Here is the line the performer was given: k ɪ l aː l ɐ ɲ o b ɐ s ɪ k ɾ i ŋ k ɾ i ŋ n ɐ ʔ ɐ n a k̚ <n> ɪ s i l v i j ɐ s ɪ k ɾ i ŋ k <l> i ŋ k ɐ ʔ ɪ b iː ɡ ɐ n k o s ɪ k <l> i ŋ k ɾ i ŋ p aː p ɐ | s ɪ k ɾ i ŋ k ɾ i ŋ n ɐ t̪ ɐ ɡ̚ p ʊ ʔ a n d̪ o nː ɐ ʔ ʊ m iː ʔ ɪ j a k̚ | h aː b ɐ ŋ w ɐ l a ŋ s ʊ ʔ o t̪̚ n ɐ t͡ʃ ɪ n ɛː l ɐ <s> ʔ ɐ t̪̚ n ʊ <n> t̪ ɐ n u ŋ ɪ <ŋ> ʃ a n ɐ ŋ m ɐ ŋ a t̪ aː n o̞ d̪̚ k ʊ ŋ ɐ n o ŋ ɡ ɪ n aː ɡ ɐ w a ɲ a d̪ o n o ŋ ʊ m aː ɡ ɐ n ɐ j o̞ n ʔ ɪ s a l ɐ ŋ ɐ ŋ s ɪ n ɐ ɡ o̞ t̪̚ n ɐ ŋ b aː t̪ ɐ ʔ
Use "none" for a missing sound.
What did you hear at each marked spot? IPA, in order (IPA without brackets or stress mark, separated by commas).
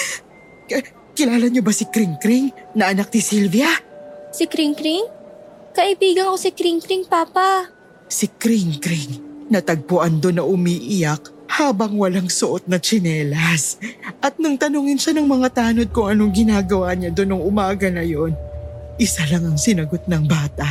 n, ɾ, ɾ, s, ŋ, n